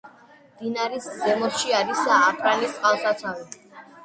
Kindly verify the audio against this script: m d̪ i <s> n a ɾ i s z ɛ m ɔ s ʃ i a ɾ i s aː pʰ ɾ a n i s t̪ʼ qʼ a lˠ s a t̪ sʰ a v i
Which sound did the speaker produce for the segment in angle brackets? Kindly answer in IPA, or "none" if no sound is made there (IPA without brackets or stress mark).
none